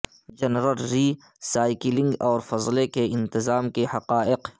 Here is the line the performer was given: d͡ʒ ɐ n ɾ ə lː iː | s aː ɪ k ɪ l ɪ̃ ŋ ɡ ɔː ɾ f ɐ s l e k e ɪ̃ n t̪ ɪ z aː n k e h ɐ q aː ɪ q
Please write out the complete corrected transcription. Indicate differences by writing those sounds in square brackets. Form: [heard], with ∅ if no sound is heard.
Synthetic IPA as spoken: d͡ʒ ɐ n ɾ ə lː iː | s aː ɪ k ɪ l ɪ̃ ŋ ɡ ɔː ɾ f ɐ [z] l e k e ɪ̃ n t̪ ɪ z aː [m] k e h ɐ q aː ɪ q

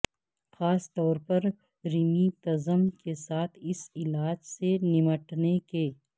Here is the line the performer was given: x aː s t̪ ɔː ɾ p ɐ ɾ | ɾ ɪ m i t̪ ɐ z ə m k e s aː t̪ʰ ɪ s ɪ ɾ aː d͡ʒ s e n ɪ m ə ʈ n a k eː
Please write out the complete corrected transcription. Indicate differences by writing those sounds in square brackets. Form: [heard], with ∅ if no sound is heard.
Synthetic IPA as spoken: x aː s t̪ ɔː ɾ p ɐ ɾ | ɾ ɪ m i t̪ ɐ z ə m k e s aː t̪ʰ ɪ s ɪ [l] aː d͡ʒ s e n ɪ m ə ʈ n [e] k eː

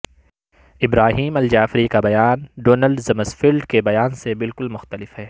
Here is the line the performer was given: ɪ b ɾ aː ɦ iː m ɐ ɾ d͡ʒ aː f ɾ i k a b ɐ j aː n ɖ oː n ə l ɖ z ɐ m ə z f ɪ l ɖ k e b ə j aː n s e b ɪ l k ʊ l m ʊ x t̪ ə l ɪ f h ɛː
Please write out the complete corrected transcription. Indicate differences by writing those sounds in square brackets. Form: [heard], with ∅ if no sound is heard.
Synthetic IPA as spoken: ɪ b ɾ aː ɦ iː m ɐ [l] d͡ʒ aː f ɾ i k a b ɐ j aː n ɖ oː n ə l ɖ z ɐ m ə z f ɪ l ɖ k e b [ɐ] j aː n s e b ɪ l k ʊ l m ʊ x t̪ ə l ɪ f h ɛː

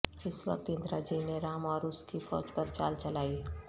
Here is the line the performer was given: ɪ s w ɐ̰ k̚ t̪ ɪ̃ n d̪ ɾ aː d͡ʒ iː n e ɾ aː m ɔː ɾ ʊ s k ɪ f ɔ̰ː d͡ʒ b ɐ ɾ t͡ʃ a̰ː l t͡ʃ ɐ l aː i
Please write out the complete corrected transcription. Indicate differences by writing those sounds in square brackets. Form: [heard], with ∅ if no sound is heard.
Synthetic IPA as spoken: ɪ s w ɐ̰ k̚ t̪ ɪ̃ n d̪ ɾ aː d͡ʒ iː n e ɾ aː m ɔː ɾ ʊ s k [i] f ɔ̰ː d͡ʒ [p] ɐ ɾ t͡ʃ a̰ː l t͡ʃ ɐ l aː i

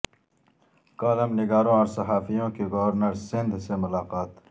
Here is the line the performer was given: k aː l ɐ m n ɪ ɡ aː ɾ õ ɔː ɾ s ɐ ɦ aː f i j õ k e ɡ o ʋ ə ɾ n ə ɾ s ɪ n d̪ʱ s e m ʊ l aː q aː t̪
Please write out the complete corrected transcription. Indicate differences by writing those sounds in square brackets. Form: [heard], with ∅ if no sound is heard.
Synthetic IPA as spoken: k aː l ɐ m n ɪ ɡ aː ɾ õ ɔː ɾ s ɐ ɦ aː f i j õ k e ɡ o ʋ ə ɾ n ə ɾ s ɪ n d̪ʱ s e m ʊ l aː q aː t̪

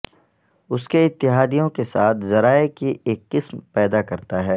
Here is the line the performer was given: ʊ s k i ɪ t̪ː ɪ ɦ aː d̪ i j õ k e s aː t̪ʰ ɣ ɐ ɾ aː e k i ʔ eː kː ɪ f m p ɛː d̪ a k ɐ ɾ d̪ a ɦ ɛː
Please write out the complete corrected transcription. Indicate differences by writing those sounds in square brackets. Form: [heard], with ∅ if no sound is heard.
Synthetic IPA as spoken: ʊ s k [e] ɪ t̪ː ɪ ɦ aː d̪ i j õ k e s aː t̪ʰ [z] ɐ ɾ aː e k i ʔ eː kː ɪ [s] m p ɛː d̪ a k ɐ ɾ [t̪] a ɦ ɛː

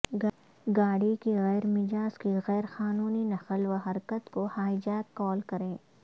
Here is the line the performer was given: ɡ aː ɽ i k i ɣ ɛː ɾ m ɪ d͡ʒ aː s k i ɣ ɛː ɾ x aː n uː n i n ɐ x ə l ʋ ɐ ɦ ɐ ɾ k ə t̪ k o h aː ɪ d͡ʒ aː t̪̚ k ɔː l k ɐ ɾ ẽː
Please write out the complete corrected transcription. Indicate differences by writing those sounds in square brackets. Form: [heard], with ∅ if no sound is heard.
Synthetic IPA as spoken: ɡ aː ɽ i k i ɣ ɛː ɾ m ɪ d͡ʒ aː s k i ɣ ɛː ɾ x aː n uː n i n ɐ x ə l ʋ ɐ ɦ ɐ ɾ k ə t̪ k o h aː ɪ d͡ʒ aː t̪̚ k ɔː l k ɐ ɾ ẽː

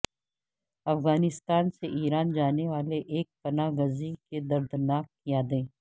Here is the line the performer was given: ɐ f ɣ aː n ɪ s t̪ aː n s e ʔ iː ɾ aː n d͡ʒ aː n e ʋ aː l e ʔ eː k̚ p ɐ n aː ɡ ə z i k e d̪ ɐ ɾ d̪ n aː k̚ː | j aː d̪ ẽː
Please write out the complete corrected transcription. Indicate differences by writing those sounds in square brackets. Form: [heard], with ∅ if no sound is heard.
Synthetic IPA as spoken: ɐ f ɣ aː n ɪ s t̪ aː n s e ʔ iː ɾ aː n d͡ʒ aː n e ʋ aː l e ʔ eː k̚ p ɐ n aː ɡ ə z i k e d̪ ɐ ɾ d̪ n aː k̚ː | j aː d̪ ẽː

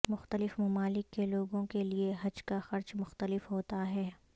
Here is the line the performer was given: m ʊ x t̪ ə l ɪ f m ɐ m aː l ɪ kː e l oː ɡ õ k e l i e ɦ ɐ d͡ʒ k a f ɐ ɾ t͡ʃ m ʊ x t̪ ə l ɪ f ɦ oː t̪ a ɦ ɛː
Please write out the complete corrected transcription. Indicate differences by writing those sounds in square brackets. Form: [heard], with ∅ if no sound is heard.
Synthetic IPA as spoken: m ʊ x t̪ ə l ɪ f m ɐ m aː l ɪ kː e l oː ɡ õ k e l i e ɦ ɐ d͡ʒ k a [x] ɐ ɾ t͡ʃ m ʊ x t̪ ə l ɪ f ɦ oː t̪ a ɦ ɛː

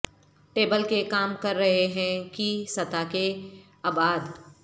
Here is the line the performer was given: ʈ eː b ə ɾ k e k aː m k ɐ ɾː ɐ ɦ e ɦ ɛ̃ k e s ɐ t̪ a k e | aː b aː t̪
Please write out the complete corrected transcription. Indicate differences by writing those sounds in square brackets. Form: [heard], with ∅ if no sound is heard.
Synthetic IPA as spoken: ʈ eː b ə [l] k e k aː m k ɐ ɾː ɐ ɦ e ɦ ɛ̃ k [i] s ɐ t̪ a k e | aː b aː [d̪]

